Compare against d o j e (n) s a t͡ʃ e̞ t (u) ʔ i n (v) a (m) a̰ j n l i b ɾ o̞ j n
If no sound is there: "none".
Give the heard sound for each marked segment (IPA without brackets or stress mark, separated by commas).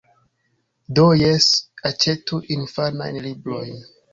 none, u, f, n